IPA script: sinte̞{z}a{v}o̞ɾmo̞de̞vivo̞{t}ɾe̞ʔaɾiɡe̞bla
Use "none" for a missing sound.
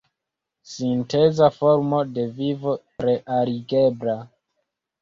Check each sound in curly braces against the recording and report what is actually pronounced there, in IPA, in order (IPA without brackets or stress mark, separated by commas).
z, f, t